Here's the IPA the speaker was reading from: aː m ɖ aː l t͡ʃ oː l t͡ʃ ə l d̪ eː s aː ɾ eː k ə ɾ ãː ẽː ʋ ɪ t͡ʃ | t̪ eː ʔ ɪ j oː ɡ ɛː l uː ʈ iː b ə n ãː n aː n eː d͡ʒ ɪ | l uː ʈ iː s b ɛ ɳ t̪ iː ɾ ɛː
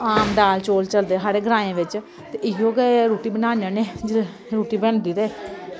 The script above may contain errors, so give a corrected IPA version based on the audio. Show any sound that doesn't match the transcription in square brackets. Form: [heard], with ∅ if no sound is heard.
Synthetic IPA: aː m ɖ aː l t͡ʃ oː l t͡ʃ ə l d̪ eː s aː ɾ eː [ɡ] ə ɾ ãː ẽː ʋ ɪ t͡ʃ | t̪ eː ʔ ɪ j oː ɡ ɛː [ɾ] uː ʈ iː b ə n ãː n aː n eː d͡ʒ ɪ | [ɾ] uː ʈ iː [∅] b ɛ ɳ [d̪] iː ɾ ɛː

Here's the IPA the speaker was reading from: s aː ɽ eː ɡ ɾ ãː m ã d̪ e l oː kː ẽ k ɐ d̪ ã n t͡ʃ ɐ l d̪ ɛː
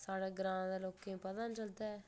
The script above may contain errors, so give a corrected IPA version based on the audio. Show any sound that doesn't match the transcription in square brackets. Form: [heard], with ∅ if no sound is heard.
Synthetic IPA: s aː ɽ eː ɡ ɾ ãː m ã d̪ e l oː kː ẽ [p] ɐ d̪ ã n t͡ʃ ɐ l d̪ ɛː

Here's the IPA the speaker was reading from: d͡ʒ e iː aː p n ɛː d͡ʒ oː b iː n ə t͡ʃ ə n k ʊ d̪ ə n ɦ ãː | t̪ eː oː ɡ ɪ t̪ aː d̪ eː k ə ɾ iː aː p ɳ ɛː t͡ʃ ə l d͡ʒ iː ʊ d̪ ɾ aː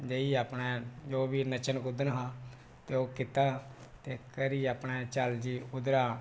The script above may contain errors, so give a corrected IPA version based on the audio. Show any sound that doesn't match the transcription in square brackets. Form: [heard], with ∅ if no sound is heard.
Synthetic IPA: d͡ʒ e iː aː p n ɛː d͡ʒ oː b iː n ə t͡ʃ ə n k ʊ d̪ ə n ɦ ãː | t̪ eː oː [k] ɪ t̪ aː [t̪] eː k ə ɾ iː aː p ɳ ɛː t͡ʃ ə l d͡ʒ iː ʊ d̪ ɾ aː

